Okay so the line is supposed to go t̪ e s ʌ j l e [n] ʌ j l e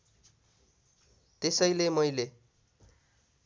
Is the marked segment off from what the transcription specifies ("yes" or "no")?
yes